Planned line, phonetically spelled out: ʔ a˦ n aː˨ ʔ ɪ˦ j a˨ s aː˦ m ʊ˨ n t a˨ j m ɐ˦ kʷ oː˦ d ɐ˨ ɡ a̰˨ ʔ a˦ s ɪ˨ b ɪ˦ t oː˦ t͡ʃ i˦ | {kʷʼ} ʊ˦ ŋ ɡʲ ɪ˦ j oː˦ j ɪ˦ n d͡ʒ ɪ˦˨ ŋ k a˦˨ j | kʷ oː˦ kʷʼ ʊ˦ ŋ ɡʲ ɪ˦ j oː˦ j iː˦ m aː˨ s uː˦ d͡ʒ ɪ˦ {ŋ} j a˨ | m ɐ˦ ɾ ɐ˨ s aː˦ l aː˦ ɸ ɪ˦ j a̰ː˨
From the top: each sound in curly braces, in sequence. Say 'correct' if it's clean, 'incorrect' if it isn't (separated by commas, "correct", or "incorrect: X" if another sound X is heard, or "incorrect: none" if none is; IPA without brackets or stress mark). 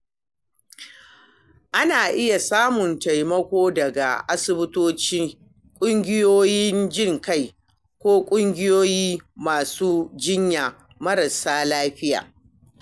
correct, incorrect: ɲ